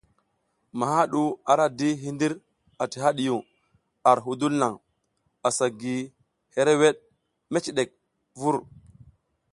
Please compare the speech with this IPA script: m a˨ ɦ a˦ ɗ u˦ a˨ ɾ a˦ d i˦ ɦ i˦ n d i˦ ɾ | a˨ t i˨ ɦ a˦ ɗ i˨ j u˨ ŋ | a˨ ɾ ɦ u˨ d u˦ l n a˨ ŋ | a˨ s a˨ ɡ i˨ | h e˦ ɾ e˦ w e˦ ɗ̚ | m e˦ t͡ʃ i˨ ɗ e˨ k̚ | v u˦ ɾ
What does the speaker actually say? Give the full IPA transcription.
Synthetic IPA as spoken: m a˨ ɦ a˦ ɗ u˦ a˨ ɾ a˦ d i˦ ɦ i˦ n d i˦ ɾ | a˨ t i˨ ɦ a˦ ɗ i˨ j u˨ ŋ | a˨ ɾ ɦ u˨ d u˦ l n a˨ ŋ | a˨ s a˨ ɡ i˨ | h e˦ ɾ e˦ w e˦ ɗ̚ | m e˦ t͡ʃ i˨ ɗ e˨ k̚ | v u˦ ɾ